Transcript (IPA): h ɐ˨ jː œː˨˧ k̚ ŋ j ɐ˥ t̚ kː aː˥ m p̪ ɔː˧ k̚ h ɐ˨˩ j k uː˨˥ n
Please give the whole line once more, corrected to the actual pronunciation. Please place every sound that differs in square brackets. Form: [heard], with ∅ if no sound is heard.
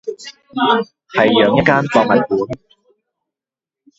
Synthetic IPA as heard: h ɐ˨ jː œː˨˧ [∅] ŋ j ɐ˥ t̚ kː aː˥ [n] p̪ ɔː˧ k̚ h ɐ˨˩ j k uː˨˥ n